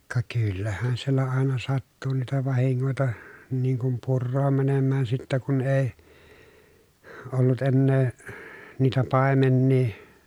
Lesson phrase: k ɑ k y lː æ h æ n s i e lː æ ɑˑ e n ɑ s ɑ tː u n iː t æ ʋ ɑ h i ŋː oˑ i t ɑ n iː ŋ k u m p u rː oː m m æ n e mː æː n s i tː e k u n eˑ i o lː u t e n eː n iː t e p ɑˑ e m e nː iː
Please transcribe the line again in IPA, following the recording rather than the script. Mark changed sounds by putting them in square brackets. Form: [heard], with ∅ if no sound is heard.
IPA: k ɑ k y lː æ h æ n s i e lː æ ɑˑ e n ɑ s ɑ tː u n iː t æ ʋ ɑ h i ŋː oˑ i t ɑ n iː ŋ k u m p u rː oː m m æ n e mː æː n s i tː [æ] k u n eˑ i o lː u t e [nː] eː n iː t [æ] p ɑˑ e m e nː iː